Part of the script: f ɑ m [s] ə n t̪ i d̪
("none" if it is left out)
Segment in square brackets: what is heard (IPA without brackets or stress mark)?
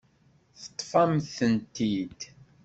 θ